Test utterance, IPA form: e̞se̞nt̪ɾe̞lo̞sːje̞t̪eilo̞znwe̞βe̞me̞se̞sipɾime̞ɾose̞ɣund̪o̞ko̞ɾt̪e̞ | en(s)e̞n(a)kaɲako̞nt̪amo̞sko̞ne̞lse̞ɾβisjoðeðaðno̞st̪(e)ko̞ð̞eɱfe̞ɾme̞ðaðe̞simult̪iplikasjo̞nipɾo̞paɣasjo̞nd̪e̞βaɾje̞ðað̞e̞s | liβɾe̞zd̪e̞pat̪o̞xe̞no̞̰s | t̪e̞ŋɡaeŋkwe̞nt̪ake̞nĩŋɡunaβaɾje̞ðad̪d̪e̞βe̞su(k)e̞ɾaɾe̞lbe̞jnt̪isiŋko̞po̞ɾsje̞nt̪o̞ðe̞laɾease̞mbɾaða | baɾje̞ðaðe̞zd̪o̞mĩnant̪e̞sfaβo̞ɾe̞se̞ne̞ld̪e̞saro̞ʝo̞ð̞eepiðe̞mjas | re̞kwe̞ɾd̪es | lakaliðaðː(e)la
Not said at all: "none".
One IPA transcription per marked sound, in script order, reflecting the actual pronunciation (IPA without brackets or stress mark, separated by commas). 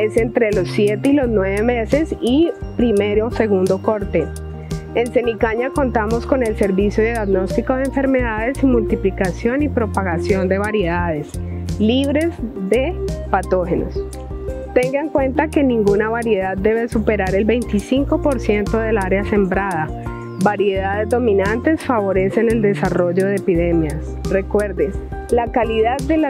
s, i, i, p, e